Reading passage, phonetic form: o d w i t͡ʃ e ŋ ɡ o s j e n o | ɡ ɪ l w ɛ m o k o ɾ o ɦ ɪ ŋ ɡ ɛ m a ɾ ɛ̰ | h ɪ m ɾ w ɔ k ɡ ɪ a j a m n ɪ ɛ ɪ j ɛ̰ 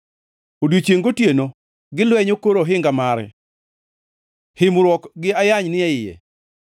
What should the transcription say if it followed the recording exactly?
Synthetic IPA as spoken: o d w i t͡ʃ e ŋ ɡ o t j e n o | ɡ ɪ l w ɛ ɲ o k o ɾ o ɦ ɪ ŋ ɡ a m a ɾ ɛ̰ | h ɪ m ɾ w ɔ k ɡ ɪ a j a ɲ n ɪ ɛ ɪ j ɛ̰